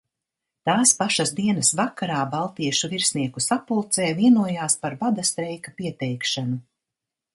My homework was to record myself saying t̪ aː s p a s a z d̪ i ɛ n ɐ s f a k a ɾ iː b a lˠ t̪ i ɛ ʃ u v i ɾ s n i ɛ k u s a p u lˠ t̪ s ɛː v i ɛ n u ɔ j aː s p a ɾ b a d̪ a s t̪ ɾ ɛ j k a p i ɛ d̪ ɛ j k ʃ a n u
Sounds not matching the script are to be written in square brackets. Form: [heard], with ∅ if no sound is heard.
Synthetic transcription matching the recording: t̪ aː s p a [ʃ] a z d̪ i ɛ n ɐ s [v] a k a ɾ [aː] b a lˠ t̪ i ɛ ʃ u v i ɾ s n i ɛ k u s a p u lˠ t̪ s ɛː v i ɛ n u ɔ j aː s p a ɾ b a d̪ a s t̪ ɾ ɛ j k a p i ɛ [t̪] ɛ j k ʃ a n u